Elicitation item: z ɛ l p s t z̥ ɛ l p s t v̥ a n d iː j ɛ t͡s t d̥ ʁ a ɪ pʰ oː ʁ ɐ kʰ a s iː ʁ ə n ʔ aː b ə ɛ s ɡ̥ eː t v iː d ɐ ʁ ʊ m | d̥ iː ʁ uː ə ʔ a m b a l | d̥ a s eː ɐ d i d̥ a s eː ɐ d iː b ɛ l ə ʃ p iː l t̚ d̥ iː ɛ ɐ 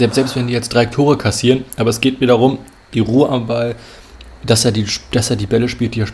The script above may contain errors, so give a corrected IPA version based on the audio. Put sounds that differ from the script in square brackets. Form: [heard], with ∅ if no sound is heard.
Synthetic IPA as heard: z ɛ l p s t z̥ ɛ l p s t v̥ [ɛ] n d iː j ɛ t͡s t d̥ ʁ a ɪ [tʰ] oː ʁ [ə] kʰ a s iː ʁ ə n ʔ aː b [ɐ] ɛ s ɡ̥ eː t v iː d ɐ ʁ ʊ m | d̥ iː ʁ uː ə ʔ a m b a l | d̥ a s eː ɐ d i d̥ a s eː ɐ d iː b ɛ l ə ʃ p iː l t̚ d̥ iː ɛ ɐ